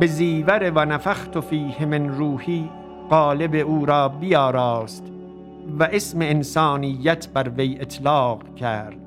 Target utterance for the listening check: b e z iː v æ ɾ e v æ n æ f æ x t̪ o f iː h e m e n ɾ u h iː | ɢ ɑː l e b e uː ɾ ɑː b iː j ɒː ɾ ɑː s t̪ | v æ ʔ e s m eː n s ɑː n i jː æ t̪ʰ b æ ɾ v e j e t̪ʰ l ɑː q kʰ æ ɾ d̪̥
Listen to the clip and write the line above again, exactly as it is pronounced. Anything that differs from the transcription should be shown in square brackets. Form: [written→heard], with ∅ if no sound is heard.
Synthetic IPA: b e z iː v æ ɾ e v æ n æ f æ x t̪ o f iː h e m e n ɾ [u→uː] h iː | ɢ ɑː l e b e uː ɾ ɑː b [iː→i] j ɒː ɾ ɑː s t̪ | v æ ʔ e s m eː n s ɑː n i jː æ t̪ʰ b æ ɾ v e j e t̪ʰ l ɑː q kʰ æ ɾ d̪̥